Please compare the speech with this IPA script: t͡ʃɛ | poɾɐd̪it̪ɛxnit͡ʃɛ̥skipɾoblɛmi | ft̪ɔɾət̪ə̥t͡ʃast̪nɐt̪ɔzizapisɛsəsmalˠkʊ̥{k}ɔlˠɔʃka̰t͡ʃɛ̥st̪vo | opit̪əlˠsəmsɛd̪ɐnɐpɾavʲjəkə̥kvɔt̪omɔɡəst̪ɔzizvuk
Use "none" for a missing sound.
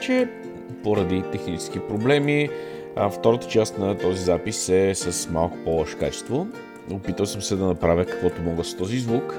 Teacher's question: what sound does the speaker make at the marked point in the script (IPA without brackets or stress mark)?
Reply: p